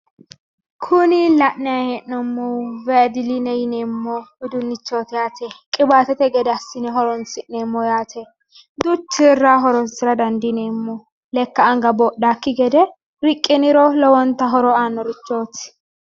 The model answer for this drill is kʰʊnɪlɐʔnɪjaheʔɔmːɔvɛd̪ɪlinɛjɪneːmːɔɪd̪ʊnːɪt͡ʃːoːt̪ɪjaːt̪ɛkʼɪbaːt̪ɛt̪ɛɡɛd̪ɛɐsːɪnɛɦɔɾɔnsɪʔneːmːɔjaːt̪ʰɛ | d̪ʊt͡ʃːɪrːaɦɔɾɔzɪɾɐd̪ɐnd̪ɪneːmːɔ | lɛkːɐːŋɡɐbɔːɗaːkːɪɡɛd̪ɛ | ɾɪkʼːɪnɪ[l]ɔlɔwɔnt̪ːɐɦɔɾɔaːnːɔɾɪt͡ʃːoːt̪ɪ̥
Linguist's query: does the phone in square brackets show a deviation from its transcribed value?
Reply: yes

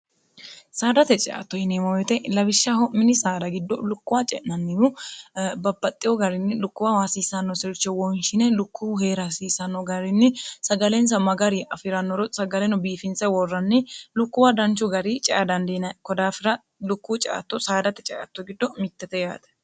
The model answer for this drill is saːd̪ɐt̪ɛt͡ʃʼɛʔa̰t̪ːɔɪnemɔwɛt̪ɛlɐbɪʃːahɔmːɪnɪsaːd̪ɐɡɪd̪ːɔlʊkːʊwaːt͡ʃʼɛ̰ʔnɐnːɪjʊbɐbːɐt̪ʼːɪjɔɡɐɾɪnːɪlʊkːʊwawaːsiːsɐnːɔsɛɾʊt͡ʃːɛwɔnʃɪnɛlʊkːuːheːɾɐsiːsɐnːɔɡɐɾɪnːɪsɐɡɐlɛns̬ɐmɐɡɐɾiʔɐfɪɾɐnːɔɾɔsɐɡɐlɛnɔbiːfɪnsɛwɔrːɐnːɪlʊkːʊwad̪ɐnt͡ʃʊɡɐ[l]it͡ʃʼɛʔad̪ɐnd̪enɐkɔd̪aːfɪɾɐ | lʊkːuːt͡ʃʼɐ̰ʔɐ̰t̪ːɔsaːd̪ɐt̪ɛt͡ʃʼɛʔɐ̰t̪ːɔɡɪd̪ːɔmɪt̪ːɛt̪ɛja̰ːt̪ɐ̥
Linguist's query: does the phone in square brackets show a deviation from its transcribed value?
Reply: yes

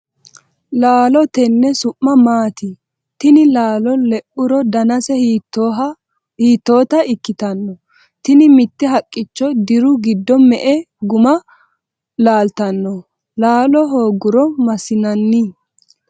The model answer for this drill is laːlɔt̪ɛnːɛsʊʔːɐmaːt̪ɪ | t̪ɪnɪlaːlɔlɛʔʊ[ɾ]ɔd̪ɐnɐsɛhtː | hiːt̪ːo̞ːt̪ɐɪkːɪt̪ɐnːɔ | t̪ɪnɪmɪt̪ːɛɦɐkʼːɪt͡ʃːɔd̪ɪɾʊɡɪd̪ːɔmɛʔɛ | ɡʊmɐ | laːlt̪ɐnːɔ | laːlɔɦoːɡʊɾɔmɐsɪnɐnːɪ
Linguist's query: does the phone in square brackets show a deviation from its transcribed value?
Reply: no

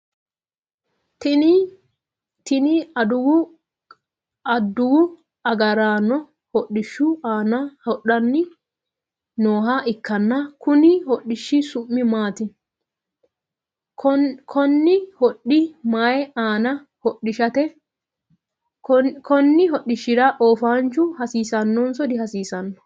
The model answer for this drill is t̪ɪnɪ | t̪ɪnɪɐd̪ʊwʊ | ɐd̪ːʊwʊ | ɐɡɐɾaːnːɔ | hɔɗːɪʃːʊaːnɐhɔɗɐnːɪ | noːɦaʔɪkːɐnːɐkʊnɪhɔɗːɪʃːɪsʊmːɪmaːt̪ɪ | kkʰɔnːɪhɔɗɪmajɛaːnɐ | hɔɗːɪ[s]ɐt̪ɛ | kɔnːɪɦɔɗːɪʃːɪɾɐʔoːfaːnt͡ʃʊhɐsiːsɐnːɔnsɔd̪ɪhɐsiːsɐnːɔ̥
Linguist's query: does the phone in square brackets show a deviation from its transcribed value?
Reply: yes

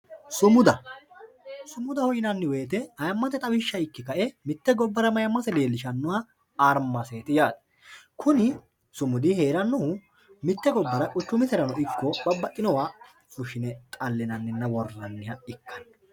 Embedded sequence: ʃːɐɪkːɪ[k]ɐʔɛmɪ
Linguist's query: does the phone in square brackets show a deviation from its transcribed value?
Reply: no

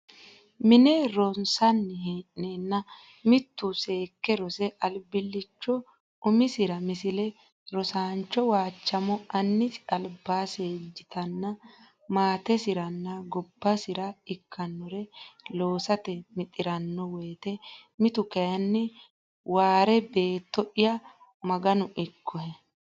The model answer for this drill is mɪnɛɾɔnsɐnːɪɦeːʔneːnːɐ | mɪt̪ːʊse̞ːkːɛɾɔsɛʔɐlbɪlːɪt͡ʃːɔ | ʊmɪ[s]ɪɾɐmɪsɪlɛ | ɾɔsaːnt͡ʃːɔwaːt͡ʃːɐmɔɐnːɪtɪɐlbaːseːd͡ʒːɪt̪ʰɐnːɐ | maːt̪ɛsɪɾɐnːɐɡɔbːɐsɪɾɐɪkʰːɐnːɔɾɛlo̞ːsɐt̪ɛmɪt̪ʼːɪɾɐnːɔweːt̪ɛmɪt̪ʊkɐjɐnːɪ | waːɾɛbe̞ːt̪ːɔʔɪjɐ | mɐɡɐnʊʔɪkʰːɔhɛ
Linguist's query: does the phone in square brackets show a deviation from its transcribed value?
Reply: no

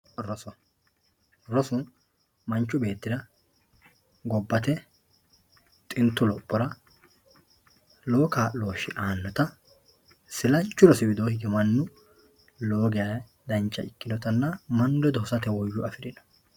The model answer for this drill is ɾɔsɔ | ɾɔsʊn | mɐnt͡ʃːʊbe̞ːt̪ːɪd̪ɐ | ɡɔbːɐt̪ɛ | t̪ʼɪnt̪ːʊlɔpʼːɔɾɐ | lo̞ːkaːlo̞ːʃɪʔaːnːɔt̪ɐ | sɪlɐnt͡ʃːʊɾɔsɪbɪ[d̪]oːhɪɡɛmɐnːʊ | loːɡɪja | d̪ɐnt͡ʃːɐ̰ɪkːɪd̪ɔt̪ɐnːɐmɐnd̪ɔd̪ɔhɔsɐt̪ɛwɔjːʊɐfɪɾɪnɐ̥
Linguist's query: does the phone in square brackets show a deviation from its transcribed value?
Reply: no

